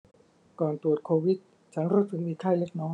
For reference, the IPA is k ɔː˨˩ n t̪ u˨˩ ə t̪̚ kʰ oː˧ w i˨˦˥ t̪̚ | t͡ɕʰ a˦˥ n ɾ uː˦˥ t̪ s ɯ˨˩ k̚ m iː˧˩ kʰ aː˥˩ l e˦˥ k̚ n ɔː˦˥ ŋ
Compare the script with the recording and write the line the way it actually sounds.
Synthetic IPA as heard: k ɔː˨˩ n t̪ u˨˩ ə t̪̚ kʰ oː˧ w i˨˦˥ t̪̚ | t͡ɕʰ a˦˥ n ɾ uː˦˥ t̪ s ɯ˨˩ k̚ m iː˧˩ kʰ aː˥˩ l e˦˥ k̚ n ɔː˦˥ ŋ